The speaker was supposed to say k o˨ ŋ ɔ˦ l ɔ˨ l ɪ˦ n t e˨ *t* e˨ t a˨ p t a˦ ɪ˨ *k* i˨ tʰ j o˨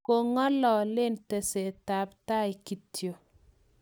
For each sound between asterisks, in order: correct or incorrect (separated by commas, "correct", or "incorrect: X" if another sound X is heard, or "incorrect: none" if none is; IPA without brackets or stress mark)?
incorrect: s, correct